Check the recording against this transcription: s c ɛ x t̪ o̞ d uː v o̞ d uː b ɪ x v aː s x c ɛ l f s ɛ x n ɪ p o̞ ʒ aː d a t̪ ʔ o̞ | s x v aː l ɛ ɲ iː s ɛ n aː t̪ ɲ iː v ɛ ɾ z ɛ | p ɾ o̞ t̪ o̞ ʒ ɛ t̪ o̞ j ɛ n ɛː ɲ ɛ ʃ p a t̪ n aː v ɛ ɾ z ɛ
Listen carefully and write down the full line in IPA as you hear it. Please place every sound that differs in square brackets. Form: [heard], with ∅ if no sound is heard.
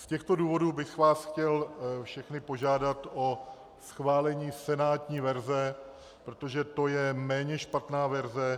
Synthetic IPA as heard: s c ɛ x t̪ o̞ d uː v o̞ d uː b ɪ x v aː s x c ɛ l f [ʃ] ɛ x n ɪ p o̞ ʒ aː d a t̪ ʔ o̞ | s x v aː l ɛ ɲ iː s ɛ n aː t̪ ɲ iː v ɛ ɾ z ɛ | p ɾ o̞ t̪ o̞ ʒ ɛ t̪ o̞ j ɛ [m] ɛː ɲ ɛ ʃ p a t̪ n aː v ɛ ɾ z ɛ